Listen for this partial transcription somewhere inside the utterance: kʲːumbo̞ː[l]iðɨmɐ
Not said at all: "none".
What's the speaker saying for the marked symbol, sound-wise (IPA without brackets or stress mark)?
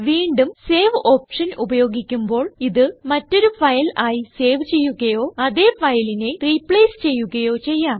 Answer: ɭ